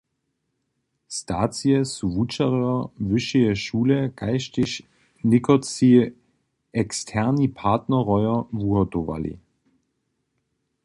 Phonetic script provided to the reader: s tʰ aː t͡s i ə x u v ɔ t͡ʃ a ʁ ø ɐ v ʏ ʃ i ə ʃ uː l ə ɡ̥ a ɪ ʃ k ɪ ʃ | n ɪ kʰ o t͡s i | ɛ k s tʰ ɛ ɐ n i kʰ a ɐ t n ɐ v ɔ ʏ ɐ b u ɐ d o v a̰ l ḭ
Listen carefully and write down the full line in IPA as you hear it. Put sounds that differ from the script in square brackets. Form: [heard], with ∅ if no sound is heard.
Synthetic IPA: s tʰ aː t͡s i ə [s] u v [u] t͡ʃ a ʁ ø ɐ v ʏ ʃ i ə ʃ uː l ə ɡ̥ a ɪ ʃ [t] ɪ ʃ | n ɪ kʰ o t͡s i | ɛ k s tʰ ɛ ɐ n i [pʰ] a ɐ t n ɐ [ʁ] ɔ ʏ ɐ [v] u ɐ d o v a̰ l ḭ